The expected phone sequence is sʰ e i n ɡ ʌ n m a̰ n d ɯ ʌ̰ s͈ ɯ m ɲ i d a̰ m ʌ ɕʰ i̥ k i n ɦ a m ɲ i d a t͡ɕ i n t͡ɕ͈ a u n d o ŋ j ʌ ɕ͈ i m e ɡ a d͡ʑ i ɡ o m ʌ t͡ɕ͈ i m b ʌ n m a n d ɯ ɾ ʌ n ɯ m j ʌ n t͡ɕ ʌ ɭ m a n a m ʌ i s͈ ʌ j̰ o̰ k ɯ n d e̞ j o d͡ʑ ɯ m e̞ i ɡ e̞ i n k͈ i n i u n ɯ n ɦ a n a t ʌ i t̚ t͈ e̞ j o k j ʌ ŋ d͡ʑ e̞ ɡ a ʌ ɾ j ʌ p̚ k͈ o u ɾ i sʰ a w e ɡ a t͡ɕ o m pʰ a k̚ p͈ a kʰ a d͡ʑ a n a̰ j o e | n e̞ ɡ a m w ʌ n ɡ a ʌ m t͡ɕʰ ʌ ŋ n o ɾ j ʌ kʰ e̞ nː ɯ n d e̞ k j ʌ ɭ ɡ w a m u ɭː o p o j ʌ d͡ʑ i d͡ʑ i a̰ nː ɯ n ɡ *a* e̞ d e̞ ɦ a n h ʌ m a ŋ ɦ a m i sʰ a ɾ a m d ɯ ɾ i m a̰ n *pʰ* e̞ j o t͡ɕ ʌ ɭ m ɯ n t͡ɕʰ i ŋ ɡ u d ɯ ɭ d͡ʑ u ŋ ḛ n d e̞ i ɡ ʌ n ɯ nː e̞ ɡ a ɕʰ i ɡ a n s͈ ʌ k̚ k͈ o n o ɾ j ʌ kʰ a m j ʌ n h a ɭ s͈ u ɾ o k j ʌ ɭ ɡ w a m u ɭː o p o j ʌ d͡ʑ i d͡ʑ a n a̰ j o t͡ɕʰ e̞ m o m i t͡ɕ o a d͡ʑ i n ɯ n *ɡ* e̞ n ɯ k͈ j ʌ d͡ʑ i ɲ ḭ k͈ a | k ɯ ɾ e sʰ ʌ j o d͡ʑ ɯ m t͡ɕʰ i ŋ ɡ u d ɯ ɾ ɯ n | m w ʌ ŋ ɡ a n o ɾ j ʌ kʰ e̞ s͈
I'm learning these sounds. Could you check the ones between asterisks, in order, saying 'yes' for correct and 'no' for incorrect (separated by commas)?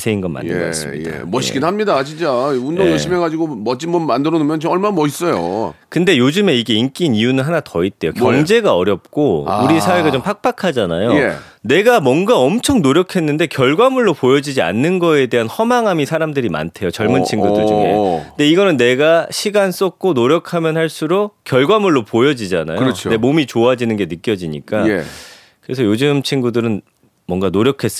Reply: no, no, yes